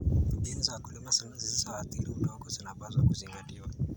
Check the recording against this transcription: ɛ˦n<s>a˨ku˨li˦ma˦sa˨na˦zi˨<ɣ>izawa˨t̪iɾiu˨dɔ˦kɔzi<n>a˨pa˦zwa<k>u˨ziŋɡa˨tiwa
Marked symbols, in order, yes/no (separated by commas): no, no, yes, yes